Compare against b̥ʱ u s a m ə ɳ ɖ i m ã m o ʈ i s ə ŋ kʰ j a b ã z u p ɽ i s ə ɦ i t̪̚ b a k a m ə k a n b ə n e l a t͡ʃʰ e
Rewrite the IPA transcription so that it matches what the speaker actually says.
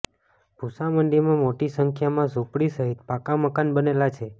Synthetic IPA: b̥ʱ u s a m ə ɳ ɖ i m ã m o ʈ i s ə ŋ kʰ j a m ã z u p ɽ i s ə ɦ i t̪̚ p a k a m ə k a n b ə n e l a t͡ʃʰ e